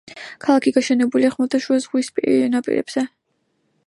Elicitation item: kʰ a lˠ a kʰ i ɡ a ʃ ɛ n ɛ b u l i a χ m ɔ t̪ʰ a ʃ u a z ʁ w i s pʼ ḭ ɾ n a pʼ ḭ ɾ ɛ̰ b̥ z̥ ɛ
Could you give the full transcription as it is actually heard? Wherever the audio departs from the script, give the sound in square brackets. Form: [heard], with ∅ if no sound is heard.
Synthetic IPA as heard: kʰ a lˠ a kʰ i ɡ a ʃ ɛ n ɛ b u l i a χ m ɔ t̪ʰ a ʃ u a z ʁ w i s pʼ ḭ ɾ n a pʼ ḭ ɾ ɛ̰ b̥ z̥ ɛ